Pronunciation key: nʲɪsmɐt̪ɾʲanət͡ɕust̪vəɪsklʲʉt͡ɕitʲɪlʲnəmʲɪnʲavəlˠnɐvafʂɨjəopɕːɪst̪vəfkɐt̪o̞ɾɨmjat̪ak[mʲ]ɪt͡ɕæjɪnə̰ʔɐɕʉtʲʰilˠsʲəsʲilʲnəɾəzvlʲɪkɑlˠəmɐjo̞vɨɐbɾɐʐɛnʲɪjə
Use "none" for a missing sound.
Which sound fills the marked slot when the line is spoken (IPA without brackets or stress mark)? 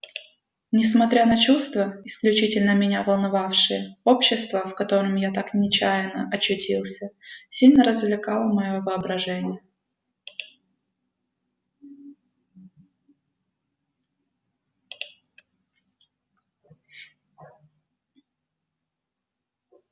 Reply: nʲ